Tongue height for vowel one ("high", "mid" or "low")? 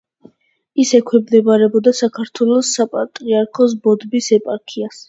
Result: high